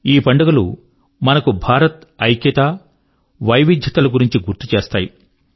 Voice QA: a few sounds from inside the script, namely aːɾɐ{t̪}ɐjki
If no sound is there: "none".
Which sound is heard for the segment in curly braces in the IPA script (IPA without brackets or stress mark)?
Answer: t̪